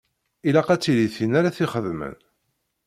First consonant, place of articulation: alveolar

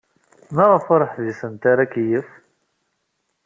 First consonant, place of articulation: labial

